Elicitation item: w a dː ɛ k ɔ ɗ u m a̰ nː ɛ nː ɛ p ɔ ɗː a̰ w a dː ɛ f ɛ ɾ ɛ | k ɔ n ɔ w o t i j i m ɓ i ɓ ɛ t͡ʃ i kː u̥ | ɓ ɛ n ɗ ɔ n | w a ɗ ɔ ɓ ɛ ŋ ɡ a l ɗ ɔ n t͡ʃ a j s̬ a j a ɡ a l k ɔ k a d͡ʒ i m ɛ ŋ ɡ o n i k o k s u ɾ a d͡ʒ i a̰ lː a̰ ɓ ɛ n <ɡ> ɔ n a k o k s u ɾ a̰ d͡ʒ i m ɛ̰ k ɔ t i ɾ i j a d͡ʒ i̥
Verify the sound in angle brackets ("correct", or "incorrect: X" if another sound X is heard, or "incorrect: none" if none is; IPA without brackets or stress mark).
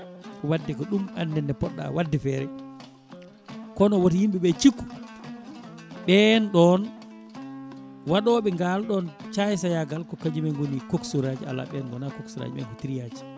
correct